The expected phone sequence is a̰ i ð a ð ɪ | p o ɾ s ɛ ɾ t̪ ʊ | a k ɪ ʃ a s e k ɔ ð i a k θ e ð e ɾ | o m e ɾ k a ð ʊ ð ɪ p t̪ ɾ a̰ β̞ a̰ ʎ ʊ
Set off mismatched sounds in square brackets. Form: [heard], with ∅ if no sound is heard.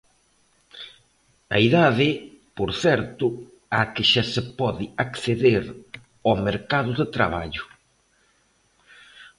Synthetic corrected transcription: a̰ i ð a ð ɪ | p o ɾ [θ] ɛ ɾ t̪ ʊ | a k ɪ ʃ a s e [p] ɔ ð [ɪ] a k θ e ð e ɾ | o m e ɾ k a ð ʊ ð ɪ [∅] t̪ ɾ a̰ β̞ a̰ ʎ ʊ